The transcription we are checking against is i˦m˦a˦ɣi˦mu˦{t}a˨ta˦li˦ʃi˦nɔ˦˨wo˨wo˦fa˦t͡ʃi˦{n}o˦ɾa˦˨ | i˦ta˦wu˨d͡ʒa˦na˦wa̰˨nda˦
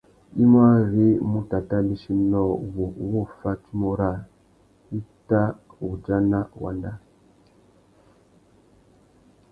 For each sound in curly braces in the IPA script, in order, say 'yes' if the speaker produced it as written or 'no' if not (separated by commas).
yes, no